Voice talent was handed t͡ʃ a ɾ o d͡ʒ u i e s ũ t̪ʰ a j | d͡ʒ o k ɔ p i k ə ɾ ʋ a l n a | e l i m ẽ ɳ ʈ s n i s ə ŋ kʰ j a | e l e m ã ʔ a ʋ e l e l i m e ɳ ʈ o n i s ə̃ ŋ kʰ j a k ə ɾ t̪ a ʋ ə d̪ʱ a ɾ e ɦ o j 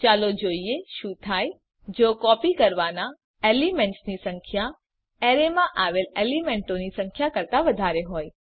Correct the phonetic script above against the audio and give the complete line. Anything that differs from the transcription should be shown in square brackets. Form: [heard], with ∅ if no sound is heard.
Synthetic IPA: t͡ʃ a [l] o d͡ʒ [o] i e [ʃ] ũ t̪ʰ a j | d͡ʒ o k ɔ p i k ə ɾ ʋ a [∅] n a | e l i m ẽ ɳ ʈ s n i s ə ŋ kʰ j a | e [ɾ] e m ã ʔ a ʋ e l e l i m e ɳ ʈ o n i s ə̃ ŋ kʰ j a k ə ɾ t̪ a ʋ ə d̪ʱ a ɾ e ɦ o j